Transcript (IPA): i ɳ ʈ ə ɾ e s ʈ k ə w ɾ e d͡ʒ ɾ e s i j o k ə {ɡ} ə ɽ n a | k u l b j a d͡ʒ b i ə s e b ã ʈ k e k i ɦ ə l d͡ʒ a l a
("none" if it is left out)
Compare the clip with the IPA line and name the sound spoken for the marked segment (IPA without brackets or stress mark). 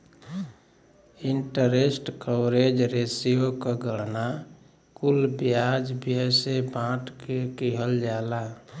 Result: ɡ